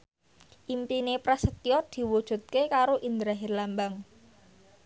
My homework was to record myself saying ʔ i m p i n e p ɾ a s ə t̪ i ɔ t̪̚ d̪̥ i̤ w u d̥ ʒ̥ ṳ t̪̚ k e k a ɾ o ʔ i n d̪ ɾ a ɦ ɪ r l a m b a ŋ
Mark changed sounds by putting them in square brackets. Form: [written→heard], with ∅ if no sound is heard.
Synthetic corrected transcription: ʔ i m p i n e p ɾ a s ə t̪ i ɔ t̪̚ d̪̥ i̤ w u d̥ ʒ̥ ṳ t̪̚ k e k a ɾ o ʔ i n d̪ ɾ a ɦ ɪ r l a m b a ŋ